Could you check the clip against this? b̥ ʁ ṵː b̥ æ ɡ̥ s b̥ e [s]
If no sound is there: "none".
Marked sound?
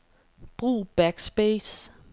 s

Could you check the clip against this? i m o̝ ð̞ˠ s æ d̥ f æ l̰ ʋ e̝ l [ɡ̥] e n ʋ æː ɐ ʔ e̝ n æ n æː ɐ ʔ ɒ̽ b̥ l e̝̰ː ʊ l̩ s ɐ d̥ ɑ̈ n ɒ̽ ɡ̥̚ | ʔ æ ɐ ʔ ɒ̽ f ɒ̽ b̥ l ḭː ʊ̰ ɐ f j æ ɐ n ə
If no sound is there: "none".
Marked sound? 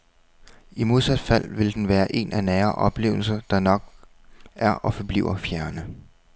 d̥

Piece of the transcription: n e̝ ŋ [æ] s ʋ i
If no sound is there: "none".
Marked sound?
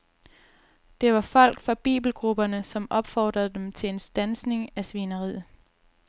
æ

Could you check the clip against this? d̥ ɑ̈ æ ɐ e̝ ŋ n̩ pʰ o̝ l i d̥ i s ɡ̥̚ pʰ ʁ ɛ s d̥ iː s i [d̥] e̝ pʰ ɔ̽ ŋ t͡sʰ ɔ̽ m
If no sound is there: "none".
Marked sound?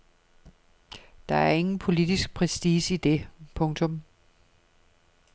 d̥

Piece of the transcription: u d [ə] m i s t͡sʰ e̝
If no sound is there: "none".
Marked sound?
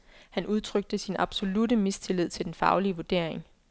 ə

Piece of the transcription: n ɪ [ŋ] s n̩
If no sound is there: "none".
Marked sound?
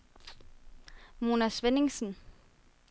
ŋ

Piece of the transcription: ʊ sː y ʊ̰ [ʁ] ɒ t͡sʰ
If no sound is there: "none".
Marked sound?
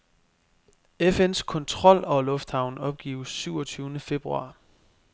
none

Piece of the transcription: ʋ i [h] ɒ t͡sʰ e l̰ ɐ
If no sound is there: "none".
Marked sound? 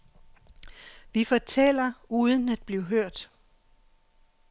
f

